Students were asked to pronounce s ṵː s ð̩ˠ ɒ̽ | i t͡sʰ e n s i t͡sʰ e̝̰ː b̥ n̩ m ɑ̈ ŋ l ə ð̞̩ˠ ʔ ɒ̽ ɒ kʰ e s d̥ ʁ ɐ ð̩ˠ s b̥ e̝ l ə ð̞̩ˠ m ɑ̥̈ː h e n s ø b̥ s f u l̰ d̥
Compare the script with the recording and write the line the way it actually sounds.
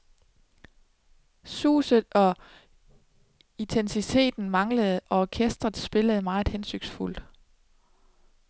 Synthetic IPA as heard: s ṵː s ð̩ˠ ɒ̽ | i t͡sʰ e n s i t͡sʰ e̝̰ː d̥ n̩ m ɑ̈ ŋ l ə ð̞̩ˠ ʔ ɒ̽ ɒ kʰ e s d̥ ʁ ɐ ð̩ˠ s b̥ e̝ l ə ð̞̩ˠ m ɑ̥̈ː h e n s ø ɡ̥ s f u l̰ d̥